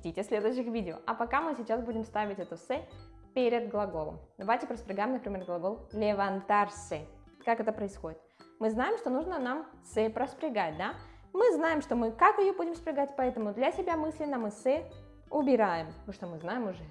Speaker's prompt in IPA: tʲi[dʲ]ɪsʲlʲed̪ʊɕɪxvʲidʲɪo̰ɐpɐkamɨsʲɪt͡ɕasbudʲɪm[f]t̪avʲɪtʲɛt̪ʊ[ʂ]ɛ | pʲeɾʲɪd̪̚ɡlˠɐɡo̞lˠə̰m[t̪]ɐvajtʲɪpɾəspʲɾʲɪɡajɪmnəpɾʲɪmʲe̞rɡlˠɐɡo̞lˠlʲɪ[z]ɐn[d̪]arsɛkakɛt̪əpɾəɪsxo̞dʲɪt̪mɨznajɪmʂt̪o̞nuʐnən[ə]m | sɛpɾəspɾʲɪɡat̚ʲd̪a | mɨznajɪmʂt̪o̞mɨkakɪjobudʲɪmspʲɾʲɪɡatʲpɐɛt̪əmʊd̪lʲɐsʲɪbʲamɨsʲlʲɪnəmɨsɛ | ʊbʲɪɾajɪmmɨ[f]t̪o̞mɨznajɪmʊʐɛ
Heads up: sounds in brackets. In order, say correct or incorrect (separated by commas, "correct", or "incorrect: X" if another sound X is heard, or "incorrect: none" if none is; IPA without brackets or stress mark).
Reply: incorrect: tʲ, incorrect: s, incorrect: s, incorrect: d̪, incorrect: v, incorrect: t̪, incorrect: a, incorrect: ʂ